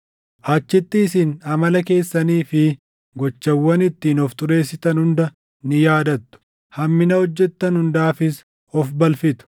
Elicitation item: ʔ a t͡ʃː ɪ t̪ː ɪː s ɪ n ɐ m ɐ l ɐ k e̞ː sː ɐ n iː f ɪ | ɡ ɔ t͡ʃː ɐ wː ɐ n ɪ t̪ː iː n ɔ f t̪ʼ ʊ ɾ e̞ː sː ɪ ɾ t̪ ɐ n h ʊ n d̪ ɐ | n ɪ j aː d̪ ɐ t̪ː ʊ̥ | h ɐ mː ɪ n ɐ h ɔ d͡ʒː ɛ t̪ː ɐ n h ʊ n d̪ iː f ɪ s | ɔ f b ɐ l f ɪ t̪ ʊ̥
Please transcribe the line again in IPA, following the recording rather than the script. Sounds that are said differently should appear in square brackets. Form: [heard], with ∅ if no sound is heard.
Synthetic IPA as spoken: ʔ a t͡ʃː ɪ t̪ː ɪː s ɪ n ɐ m ɐ l ɐ k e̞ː sː ɐ n iː f ɪ | ɡ ɔ t͡ʃː ɐ wː ɐ n ɪ t̪ː iː n ɔ f [t̪] ʊ ɾ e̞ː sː ɪ [∅] t̪ ɐ n h ʊ n d̪ ɐ | n ɪ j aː d̪ ɐ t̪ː ʊ̥ | h ɐ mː ɪ n ɐ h ɔ d͡ʒː ɛ t̪ː ɐ n h ʊ n d̪ [aː] f ɪ s | ɔ f b ɐ l f ɪ t̪ ʊ̥